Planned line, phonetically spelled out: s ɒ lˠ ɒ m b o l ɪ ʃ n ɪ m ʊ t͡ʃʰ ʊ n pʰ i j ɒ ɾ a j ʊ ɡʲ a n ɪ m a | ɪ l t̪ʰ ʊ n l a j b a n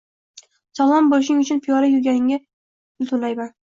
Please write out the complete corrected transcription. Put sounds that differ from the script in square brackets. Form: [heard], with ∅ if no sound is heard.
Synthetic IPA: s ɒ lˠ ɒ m b o l ɪ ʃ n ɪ [ŋ] ʊ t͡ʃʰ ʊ n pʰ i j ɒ ɾ a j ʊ ɡʲ a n ɪ [ŋ] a | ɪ l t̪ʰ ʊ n l a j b a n